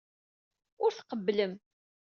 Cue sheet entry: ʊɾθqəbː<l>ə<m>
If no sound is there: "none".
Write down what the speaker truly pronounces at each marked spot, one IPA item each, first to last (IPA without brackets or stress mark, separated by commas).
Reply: l, m